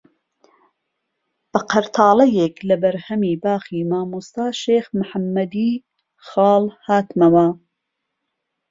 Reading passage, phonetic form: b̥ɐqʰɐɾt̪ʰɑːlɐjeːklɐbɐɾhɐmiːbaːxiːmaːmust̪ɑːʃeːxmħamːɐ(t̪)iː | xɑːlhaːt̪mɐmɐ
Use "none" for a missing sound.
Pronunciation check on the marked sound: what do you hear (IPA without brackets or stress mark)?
d̪